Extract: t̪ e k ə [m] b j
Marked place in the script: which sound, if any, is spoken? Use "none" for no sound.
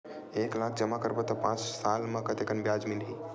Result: n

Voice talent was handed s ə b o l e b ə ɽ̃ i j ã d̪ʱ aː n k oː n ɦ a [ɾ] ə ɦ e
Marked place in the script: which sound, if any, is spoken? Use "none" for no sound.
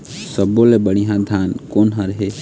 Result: ɾ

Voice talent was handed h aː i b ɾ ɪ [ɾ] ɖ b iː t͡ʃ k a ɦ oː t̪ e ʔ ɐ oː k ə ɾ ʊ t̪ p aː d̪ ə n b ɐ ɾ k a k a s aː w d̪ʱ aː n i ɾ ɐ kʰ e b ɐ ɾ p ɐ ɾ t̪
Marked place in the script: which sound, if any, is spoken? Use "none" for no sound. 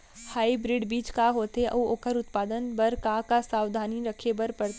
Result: none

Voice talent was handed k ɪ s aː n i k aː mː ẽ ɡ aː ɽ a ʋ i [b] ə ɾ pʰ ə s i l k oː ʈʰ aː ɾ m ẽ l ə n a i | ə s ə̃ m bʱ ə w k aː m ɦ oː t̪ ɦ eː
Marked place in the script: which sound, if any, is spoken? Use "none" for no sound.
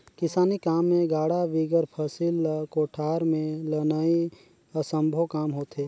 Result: ɡ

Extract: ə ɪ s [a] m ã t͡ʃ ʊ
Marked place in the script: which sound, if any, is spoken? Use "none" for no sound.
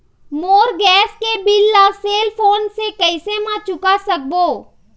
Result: e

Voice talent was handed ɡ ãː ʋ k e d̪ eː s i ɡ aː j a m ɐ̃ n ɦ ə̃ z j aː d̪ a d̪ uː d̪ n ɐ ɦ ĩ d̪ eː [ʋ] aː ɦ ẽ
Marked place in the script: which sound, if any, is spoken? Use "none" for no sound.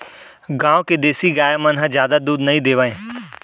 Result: ʋ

